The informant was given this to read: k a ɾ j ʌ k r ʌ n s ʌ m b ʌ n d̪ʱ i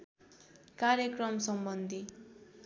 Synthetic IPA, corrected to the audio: k a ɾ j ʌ k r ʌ m s ʌ m b ʌ n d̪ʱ i